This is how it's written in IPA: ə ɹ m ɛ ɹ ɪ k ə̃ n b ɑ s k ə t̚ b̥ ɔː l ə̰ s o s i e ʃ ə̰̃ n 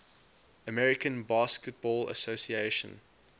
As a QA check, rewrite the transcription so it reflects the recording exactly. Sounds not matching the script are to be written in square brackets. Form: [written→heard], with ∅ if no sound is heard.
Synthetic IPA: ə [ɹ→∅] m ɛ ɹ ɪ k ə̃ n b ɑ s k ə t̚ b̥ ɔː l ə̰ s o s i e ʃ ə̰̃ n